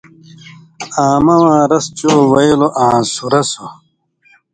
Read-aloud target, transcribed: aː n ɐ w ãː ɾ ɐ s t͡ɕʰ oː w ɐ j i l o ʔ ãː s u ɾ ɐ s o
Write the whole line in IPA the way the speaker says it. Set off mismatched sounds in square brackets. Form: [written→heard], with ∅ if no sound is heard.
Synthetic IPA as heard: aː [n→m] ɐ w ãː ɾ ɐ s [t͡ɕʰ→t͡ɕ] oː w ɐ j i l o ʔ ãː s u ɾ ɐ s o